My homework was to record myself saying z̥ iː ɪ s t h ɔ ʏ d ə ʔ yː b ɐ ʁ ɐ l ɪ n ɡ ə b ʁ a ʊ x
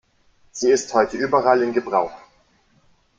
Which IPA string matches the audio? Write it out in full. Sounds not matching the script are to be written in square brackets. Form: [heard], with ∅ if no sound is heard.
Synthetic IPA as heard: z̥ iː ɪ s t h ɔ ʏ [t] ə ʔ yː b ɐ ʁ [a] l ɪ n ɡ ə b ʁ a ʊ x